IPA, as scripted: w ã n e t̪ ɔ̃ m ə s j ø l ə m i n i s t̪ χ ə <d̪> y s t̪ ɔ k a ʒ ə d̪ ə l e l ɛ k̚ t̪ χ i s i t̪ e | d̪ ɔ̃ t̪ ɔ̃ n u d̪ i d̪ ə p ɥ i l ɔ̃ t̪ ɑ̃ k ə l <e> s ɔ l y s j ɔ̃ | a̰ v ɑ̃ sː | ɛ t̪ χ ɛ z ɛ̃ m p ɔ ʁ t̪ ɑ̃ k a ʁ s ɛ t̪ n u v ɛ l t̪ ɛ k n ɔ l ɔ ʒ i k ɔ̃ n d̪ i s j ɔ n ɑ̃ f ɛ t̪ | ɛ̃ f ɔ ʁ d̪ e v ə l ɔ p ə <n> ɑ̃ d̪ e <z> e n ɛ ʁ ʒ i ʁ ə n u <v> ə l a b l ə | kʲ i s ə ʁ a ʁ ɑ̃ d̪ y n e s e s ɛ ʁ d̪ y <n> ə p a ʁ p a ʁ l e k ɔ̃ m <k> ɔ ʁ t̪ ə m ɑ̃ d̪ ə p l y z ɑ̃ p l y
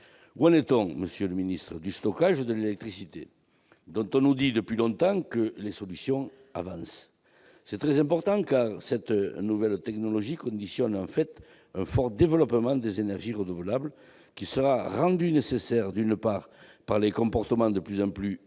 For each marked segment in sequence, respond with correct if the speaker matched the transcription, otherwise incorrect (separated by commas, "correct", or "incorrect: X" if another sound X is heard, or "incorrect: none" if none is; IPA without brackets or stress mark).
correct, correct, incorrect: m, correct, correct, correct, incorrect: p